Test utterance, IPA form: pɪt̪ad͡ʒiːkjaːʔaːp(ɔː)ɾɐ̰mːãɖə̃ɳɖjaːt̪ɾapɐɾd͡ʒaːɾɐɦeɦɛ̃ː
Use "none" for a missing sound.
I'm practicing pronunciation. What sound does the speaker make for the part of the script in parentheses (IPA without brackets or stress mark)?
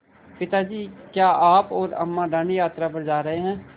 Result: ɔː